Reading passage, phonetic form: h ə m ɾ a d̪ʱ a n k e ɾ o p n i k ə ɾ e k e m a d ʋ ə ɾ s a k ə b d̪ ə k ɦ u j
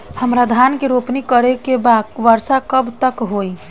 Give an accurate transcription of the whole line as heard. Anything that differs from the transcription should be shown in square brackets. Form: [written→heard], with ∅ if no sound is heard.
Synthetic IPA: h ə m ɾ a d̪ʱ a n k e ɾ o p n i k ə ɾ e k e [m→b] a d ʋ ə ɾ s a k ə b [d̪→t̪] ə k ɦ [u→o] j